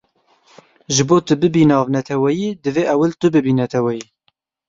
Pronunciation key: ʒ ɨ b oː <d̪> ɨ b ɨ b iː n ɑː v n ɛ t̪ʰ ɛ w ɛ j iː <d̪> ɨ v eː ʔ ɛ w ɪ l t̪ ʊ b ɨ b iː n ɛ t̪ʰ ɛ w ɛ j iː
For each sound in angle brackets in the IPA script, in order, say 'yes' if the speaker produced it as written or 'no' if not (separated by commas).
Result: no, yes